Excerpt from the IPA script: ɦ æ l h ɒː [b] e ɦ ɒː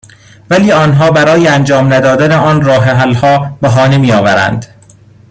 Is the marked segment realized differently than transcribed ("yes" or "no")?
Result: no